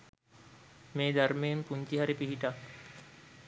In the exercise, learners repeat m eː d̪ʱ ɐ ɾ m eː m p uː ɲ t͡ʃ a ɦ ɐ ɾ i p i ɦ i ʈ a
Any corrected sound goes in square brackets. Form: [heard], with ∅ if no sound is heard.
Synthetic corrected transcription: m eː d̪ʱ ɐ ɾ m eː m p [u] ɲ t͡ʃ [i] ɦ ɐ ɾ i p i ɦ i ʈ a

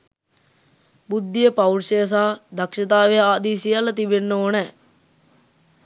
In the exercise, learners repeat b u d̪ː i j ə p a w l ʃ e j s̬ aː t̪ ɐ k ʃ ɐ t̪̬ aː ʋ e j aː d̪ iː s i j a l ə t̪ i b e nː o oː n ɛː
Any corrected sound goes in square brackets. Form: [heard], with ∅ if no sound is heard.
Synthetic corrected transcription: b u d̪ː i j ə p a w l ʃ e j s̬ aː [d̪] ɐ k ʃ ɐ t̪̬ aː ʋ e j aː d̪ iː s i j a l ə t̪ i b e nː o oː n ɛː

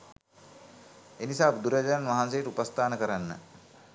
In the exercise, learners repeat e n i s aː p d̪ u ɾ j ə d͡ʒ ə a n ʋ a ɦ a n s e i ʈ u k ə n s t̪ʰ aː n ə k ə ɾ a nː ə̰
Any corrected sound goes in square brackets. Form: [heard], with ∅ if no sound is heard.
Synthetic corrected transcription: e n i s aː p d̪ u ɾ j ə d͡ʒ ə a n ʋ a ɦ a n s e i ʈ u [p] ə [∅] s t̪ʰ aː n ə k ə ɾ a nː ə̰

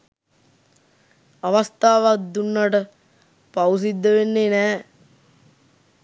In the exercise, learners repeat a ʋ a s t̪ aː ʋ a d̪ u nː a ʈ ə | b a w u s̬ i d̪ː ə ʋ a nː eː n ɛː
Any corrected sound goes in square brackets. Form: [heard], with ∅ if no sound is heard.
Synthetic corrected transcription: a ʋ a s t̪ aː ʋ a d̪ u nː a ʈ ə | [p] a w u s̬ i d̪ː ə ʋ [e] nː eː n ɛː

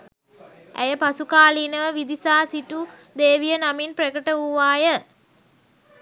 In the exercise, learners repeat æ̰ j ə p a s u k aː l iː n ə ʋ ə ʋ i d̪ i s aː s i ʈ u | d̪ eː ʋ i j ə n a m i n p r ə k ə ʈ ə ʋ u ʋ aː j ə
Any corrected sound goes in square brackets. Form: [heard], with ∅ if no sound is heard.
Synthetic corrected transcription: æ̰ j ə p a s u k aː l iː n ə ʋ ə ʋ i d̪ i s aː s i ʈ u | d̪ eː ʋ i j ə n a m i n p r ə k ə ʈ ə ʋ u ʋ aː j ə

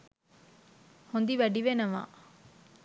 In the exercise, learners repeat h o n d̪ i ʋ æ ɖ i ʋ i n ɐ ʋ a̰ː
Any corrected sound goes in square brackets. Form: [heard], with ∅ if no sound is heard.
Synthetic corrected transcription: h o n d̪ i ʋ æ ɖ i ʋ [e] n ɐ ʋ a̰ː

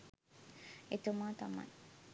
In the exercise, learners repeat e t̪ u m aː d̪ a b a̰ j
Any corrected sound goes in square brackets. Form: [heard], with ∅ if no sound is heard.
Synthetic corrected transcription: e t̪ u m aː [t̪] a [m] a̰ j

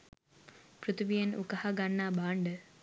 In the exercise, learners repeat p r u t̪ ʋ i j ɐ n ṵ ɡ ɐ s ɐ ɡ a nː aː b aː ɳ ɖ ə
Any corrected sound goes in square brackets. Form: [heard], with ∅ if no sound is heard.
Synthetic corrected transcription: p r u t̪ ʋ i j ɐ n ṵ [k] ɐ [h] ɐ ɡ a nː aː b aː ɳ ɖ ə

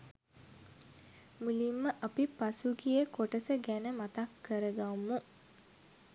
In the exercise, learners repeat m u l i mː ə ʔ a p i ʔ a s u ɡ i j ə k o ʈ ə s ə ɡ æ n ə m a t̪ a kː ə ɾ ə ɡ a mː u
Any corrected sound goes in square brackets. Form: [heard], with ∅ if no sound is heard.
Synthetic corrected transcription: m u l i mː ə ʔ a p i [p] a s u ɡ i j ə k o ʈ ə s ə ɡ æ n ə m a t̪ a kː ə ɾ ə ɡ a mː u

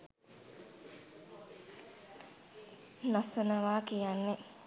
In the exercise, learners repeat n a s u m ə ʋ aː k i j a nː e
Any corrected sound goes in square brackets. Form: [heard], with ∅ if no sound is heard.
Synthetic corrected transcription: n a s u [n] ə ʋ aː k i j a nː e

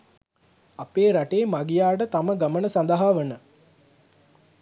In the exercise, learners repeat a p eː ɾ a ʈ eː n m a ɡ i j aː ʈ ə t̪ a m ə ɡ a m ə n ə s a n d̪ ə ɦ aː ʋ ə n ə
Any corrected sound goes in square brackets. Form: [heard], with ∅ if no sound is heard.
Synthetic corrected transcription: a p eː ɾ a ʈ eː [∅] m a ɡ i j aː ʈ ə t̪ a m ə ɡ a m ə n ə s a n d̪ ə ɦ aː ʋ ə n ə

